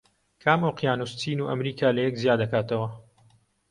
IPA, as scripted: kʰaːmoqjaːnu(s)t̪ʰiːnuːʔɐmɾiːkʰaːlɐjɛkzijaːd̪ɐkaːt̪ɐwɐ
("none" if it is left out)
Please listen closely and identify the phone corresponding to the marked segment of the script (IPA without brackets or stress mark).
s